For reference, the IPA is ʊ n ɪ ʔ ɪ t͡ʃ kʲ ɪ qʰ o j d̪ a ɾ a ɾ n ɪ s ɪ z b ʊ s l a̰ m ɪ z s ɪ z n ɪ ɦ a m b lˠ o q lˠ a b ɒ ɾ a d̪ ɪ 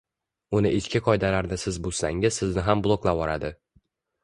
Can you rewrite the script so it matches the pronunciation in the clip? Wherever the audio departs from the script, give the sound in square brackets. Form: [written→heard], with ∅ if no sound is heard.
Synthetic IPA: ʊ n ɪ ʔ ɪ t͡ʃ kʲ ɪ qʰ [o→ɒ] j d̪ a [ɾ→l] a ɾ n ɪ s ɪ z b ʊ s l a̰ [m→ŋ] ɪ z s ɪ z n ɪ ɦ a m b lˠ o [q→k] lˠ a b ɒ ɾ a d̪ ɪ